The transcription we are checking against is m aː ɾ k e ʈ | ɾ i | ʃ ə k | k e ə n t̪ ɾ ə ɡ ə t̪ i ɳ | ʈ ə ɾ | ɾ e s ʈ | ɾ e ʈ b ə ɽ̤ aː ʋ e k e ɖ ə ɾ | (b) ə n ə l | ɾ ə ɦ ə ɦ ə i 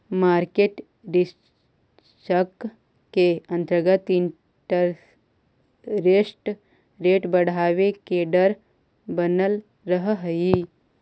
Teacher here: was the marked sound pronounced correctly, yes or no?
yes